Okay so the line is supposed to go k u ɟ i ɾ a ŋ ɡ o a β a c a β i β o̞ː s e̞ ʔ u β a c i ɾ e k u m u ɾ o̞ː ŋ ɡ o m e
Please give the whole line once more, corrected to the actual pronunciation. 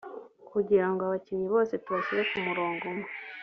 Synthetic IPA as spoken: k u ɟ i ɾ a ŋ ɡ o a β a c i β i β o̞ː s e̞ t u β a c i ɾ e k u m u ɾ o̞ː ŋ ɡ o m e